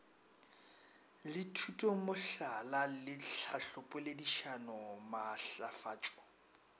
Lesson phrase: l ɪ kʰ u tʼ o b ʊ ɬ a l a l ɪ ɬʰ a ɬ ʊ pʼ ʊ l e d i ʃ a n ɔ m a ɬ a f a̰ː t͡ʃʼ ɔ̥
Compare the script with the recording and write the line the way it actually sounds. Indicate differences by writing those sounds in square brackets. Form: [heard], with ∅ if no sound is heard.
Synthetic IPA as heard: l ɪ [tʰ] u tʼ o [m] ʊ ɬ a l a l ɪ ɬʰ a ɬ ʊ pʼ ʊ l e d i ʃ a n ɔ m a ɬ a f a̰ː t͡ʃʼ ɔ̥